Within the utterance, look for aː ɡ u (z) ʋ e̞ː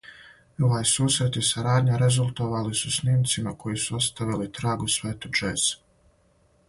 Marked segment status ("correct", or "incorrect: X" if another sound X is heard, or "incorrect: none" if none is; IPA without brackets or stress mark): incorrect: s